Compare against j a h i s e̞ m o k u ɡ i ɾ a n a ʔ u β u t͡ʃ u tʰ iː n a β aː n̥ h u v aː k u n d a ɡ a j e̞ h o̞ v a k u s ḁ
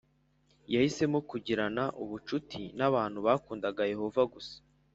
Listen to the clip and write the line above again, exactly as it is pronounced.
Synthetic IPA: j a h i s e̞ m o k u ɟ i ɾ a n a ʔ u β u t͡ʃ u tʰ i n a β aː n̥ h u β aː k uː n d a ɡ a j e̞ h o̞ v a ɡ u s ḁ